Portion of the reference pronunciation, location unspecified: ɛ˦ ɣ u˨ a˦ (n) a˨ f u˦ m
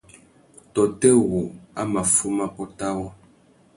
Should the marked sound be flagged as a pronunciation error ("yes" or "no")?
yes